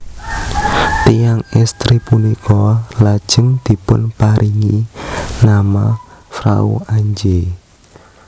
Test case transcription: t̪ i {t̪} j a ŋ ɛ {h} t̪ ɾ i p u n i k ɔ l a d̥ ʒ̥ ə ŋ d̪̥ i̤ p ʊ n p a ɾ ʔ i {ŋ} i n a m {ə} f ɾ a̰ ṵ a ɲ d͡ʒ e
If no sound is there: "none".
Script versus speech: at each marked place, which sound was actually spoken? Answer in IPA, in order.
none, s, ŋ, a

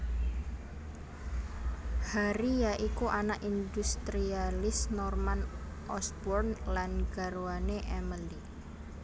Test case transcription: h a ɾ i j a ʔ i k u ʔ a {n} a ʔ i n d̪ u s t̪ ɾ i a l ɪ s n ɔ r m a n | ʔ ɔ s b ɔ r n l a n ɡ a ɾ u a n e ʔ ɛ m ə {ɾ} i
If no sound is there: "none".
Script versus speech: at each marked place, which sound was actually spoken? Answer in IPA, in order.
n, l

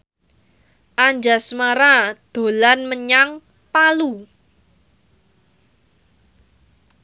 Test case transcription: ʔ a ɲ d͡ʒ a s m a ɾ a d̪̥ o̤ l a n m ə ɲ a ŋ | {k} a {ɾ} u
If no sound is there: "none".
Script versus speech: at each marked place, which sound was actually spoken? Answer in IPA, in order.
p, l

